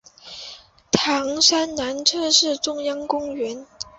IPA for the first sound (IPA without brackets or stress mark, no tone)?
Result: t̪ʰ